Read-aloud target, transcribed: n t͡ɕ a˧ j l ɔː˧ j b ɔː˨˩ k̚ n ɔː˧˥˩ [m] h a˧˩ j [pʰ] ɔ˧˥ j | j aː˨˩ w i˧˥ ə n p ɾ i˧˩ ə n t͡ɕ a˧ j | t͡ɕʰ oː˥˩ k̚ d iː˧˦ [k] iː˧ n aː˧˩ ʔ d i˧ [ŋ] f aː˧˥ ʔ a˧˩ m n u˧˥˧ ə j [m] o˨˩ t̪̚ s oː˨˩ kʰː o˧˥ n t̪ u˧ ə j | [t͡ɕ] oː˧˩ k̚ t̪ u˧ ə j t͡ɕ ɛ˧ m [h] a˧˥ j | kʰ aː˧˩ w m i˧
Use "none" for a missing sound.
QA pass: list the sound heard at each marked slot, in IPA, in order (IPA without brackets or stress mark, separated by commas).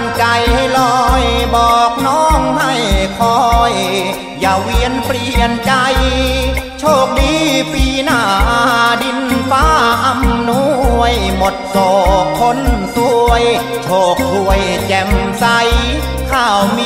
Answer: ŋ, kʰ, p, n, m, t͡ɕʰ, s